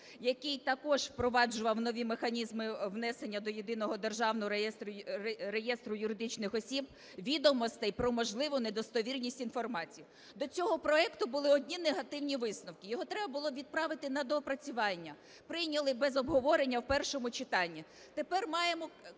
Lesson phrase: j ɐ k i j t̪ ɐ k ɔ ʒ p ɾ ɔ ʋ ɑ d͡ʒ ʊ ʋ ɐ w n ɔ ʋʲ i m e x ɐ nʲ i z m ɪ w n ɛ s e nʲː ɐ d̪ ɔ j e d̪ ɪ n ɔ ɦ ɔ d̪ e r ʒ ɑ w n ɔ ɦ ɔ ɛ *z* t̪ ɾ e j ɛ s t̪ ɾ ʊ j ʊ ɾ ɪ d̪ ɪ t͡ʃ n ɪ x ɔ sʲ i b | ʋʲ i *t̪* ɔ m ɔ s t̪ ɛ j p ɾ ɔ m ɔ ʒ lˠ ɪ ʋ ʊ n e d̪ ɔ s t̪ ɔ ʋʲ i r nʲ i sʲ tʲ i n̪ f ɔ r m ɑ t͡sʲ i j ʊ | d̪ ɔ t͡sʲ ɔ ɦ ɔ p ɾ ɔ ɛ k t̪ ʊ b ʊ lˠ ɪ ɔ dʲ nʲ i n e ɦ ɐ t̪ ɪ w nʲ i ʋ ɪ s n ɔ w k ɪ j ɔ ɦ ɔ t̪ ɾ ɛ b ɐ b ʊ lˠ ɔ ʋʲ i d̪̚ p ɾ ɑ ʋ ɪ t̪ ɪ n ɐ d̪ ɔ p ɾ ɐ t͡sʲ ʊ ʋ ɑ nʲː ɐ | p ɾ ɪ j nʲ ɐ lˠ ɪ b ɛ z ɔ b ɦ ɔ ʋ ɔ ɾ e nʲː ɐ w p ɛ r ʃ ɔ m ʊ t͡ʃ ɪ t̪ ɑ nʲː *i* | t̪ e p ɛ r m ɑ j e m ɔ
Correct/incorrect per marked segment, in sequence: incorrect: s, incorrect: d̪, correct

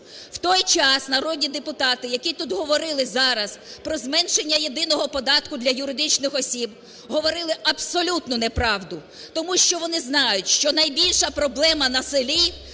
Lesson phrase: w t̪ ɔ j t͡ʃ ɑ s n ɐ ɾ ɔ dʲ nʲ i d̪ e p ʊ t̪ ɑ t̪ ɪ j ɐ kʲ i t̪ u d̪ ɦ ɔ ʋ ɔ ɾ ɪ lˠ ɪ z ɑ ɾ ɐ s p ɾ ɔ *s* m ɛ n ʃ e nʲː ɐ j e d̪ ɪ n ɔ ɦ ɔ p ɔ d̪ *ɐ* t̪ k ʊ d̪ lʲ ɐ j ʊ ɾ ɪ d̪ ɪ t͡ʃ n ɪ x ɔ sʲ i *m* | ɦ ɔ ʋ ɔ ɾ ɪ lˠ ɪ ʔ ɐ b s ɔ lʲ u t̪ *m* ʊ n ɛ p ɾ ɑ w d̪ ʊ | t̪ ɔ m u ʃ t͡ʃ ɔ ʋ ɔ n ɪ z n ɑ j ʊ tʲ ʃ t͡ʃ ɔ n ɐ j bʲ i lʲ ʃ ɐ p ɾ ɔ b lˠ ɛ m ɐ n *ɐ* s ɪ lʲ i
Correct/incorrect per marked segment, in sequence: incorrect: z, incorrect: ɑ, incorrect: b, incorrect: n, correct

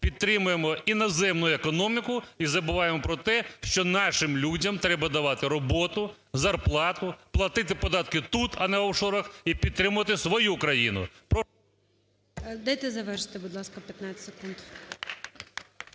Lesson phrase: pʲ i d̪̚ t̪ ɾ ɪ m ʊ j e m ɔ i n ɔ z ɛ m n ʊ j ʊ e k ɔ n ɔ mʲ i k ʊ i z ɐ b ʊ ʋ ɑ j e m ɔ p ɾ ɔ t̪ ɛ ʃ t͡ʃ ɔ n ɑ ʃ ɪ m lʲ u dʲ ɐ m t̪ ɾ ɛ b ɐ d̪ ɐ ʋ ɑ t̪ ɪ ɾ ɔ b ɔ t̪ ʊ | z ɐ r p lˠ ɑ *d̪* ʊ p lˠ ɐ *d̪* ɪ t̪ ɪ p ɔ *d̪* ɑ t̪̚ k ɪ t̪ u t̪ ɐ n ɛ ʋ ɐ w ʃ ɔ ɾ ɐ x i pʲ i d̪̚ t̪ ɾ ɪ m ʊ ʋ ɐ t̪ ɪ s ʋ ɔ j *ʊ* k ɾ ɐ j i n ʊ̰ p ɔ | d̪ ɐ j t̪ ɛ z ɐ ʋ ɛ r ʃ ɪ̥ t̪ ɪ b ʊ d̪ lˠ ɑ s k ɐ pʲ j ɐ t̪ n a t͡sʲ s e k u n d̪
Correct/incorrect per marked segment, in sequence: incorrect: t̪, incorrect: t̪, correct, incorrect: u

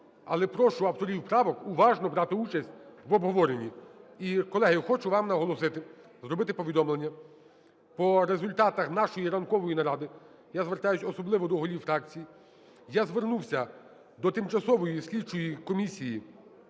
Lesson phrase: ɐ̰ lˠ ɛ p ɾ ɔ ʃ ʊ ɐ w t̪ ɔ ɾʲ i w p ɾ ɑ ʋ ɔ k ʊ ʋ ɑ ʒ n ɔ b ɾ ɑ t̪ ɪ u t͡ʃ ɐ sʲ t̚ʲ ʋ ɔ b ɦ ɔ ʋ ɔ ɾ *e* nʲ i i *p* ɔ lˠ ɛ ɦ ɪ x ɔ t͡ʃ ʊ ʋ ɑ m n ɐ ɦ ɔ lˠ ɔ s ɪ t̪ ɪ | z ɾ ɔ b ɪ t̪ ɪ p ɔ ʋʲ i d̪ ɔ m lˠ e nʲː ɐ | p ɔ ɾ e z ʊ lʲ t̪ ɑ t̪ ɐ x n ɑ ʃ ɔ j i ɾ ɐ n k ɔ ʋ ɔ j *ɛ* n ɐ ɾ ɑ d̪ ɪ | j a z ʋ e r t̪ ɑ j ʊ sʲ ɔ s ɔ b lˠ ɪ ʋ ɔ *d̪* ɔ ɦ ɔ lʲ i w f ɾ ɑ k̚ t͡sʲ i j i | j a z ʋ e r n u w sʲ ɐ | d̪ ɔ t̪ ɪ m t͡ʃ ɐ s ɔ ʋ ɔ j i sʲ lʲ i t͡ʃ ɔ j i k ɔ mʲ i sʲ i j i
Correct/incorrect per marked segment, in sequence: correct, incorrect: k, incorrect: i, correct

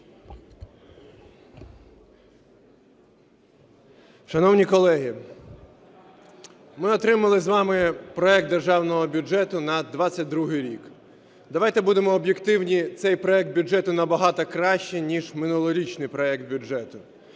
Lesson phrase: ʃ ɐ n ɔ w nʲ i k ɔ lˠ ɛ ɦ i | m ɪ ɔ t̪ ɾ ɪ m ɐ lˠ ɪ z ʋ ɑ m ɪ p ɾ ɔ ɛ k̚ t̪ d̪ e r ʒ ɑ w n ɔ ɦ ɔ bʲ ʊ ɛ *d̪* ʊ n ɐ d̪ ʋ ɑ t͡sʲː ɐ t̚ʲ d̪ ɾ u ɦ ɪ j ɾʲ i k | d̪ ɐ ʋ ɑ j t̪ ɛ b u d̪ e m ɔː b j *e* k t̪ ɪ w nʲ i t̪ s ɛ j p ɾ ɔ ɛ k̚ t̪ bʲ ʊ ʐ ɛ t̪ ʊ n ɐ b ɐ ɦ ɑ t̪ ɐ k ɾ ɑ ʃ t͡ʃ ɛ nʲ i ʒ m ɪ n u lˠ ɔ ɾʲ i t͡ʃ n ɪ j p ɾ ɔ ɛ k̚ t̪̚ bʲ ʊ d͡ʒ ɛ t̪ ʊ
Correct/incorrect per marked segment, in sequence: incorrect: t̪, correct

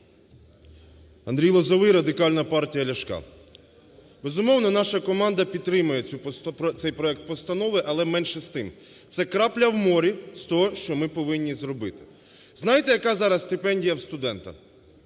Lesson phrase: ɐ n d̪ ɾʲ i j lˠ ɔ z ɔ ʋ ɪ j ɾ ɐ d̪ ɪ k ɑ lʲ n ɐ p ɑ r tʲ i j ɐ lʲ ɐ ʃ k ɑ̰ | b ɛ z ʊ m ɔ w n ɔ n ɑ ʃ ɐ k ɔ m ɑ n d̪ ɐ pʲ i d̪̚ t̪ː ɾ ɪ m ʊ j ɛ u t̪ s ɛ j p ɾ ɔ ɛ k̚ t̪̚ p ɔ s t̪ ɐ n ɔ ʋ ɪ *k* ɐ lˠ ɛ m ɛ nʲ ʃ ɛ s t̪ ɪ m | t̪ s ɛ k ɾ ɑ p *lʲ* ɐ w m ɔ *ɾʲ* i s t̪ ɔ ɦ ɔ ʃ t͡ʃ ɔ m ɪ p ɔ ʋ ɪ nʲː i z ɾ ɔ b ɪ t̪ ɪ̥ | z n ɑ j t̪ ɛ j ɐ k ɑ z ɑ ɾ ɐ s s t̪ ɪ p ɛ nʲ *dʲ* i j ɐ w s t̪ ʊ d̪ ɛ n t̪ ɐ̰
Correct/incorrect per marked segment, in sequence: incorrect: ʔ, correct, correct, correct

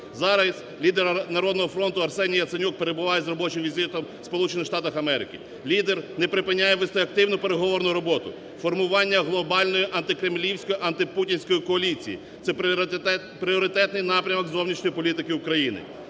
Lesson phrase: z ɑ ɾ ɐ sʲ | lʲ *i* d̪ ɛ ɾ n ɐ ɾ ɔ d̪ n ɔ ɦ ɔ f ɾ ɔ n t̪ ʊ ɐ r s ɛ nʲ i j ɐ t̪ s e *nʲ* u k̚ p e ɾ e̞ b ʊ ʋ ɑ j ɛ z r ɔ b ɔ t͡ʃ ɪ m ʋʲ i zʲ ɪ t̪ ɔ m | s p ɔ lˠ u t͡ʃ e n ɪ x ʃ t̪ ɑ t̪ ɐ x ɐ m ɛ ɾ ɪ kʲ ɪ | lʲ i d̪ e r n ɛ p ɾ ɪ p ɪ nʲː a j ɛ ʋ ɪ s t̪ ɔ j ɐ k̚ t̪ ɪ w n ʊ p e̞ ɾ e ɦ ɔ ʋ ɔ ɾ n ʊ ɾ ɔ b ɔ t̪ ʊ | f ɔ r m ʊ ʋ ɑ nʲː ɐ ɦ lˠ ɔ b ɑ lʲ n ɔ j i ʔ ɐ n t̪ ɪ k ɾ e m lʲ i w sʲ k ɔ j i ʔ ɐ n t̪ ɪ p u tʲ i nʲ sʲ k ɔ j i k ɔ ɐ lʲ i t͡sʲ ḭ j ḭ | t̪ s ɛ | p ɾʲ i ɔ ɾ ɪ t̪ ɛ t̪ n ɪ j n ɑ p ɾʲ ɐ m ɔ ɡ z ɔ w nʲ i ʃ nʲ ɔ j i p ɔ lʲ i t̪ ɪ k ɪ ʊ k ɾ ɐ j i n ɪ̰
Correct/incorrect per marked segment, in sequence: correct, correct

